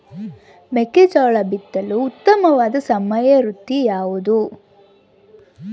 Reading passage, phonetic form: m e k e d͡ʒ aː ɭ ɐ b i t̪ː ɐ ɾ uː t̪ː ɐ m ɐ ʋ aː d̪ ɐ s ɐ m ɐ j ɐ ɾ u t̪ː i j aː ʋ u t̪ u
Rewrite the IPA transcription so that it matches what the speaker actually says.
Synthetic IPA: m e k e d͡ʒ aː ɭ ɐ b i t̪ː ɐ l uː t̪ː ɐ m ɐ ʋ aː d̪ ɐ s ɐ m ɐ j ɐ ɾ u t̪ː i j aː ʋ u d̪ u